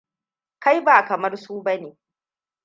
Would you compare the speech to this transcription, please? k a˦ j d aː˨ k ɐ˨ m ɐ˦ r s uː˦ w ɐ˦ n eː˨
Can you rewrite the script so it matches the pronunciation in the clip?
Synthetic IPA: k a˦ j b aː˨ k ɐ˨ m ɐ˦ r s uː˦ b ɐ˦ n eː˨